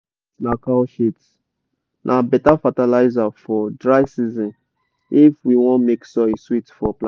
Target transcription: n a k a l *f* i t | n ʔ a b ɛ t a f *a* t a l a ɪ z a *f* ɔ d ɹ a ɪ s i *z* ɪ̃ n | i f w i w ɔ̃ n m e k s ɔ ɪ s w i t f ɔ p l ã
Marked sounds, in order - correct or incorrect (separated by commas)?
incorrect, correct, correct, correct